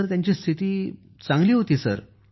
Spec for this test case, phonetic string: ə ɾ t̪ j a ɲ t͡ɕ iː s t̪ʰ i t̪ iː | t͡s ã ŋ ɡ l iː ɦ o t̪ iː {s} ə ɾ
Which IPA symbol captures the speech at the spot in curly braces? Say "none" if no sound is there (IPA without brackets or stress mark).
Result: s